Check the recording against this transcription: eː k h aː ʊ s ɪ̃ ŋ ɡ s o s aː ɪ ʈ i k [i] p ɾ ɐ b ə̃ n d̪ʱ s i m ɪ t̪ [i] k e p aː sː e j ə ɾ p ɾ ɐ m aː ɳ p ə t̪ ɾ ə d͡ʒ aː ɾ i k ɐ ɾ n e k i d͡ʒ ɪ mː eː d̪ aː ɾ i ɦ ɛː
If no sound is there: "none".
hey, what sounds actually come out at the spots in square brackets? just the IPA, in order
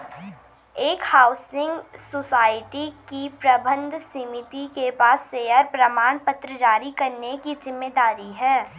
i, i

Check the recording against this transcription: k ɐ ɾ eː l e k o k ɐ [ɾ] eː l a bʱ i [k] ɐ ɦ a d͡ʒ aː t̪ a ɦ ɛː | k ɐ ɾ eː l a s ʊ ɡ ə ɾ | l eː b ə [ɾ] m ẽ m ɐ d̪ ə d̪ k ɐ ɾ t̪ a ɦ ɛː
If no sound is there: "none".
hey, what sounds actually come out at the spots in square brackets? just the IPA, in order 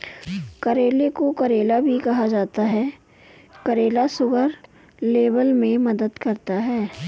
ɾ, k, l

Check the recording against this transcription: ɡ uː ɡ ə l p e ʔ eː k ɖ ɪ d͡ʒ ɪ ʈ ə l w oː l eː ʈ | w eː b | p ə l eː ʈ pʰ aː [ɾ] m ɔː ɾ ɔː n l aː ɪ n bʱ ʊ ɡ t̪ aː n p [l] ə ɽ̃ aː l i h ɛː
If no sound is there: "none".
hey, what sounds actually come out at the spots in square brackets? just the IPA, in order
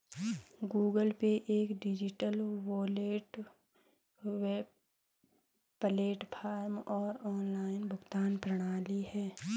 ɾ, ɾ

